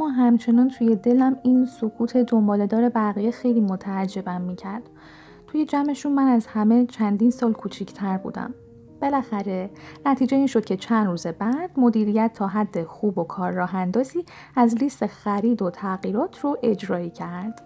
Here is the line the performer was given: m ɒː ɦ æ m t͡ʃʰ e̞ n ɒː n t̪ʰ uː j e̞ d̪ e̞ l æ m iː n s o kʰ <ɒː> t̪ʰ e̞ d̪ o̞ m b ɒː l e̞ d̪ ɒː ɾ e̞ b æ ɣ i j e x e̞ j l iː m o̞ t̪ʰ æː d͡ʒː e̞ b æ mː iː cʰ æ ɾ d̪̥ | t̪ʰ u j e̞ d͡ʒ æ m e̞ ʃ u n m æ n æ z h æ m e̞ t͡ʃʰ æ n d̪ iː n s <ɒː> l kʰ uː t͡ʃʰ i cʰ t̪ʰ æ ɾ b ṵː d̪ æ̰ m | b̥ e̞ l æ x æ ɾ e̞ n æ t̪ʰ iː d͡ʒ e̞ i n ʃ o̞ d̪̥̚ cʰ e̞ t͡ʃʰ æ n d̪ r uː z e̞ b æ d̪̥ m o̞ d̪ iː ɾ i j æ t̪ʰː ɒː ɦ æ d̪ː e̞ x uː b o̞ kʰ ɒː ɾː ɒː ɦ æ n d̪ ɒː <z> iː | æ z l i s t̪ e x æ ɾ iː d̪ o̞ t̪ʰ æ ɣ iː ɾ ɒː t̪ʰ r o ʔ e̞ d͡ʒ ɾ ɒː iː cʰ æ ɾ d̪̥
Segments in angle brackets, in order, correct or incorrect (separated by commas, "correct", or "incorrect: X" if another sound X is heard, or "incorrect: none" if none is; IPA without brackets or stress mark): incorrect: uː, correct, correct